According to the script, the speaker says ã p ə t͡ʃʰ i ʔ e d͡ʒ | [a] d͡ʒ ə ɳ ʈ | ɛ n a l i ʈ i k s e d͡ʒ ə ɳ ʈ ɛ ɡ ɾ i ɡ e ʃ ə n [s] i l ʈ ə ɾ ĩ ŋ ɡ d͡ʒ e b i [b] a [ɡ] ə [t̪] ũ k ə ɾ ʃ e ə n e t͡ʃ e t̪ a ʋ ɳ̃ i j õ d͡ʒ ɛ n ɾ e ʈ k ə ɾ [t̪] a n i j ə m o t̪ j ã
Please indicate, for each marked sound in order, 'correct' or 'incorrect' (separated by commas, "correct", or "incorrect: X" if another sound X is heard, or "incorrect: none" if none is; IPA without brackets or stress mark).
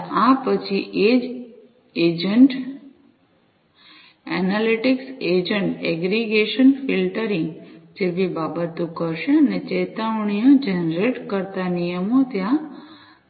incorrect: e, incorrect: f, correct, incorrect: b, correct, correct